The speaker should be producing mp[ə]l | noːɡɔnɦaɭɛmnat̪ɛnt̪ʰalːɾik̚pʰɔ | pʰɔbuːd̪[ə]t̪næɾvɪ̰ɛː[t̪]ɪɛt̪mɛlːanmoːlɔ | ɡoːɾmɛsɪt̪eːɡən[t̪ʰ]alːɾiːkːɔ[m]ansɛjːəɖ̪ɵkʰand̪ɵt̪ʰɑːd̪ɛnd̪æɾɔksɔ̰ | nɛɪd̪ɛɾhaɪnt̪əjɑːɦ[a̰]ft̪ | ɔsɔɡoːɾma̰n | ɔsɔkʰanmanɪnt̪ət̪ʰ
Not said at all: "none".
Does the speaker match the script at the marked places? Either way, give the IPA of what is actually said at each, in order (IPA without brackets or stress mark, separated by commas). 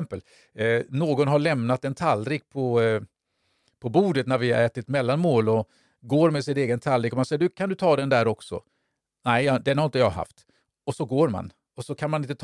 ə, ə, t̪, t̪ʰ, m, a̰